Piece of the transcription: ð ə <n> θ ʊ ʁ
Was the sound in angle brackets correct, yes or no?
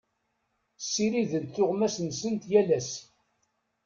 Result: yes